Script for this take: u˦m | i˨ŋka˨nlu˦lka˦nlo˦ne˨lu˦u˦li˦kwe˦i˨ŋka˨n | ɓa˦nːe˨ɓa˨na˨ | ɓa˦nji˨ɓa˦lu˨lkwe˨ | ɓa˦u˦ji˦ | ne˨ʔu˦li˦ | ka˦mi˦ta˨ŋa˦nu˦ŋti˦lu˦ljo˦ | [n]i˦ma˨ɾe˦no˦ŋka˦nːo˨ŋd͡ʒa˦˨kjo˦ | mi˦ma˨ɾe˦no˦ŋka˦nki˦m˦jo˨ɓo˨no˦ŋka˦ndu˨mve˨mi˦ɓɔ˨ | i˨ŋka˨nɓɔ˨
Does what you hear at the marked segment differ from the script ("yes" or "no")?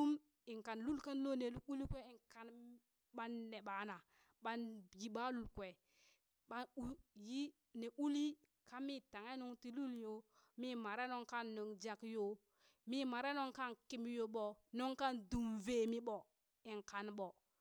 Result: yes